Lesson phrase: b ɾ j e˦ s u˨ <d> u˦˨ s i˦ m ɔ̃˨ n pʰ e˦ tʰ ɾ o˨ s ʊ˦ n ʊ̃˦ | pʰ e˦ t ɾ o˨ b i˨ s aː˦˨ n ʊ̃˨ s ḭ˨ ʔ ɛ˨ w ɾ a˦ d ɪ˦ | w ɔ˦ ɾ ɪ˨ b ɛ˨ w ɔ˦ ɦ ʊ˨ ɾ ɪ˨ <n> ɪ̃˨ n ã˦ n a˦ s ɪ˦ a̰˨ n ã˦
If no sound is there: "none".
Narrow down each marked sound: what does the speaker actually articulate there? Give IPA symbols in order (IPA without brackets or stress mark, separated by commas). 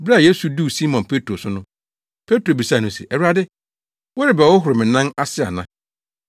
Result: d, m